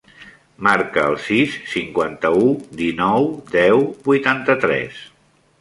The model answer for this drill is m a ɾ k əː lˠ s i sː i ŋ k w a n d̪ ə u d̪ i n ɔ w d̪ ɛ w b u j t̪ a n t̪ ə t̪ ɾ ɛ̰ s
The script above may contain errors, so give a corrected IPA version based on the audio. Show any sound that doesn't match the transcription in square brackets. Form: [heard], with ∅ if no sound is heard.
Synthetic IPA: m a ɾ k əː lˠ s i sː i ŋ k w a n [t̪] ə u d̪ i n ɔ w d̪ ɛ w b u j t̪ a n t̪ ə t̪ ɾ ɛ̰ s